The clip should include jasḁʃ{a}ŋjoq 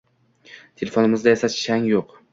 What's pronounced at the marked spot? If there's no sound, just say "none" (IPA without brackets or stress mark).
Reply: a